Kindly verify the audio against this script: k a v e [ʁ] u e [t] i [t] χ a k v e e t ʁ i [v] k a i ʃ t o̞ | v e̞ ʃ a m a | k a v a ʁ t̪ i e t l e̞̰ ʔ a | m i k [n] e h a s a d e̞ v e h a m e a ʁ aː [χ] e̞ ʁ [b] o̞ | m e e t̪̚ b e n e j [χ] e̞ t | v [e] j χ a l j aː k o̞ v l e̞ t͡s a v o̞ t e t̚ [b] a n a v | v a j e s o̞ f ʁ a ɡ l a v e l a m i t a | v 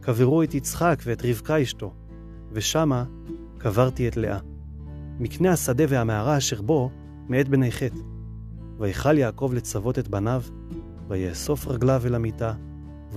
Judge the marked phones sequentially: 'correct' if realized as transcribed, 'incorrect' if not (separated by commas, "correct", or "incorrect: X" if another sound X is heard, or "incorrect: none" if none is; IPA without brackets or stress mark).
correct, correct, incorrect: t͡s, correct, correct, incorrect: ʃ, correct, correct, incorrect: a, correct